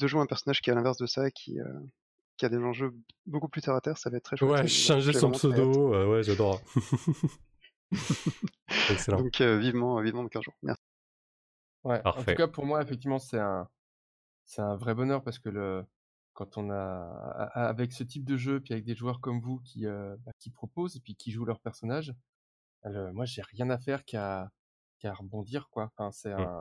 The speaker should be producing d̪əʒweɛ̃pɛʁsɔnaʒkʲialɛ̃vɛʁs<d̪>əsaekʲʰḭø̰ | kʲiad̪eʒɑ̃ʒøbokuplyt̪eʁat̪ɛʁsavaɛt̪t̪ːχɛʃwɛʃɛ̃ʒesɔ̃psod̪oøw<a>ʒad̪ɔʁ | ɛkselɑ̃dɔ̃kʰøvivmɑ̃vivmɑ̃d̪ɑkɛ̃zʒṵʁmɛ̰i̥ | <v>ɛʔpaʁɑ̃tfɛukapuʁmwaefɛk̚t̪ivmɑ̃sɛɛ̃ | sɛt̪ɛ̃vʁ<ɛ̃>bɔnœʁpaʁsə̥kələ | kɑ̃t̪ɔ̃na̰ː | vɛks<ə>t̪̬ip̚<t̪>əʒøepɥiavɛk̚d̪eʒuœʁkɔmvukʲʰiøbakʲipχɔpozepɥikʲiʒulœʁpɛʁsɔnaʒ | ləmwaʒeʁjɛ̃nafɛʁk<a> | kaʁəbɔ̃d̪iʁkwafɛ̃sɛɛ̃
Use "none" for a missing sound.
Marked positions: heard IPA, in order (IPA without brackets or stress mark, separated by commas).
d̪, ɛ, w, ɛ, ə, d̪, a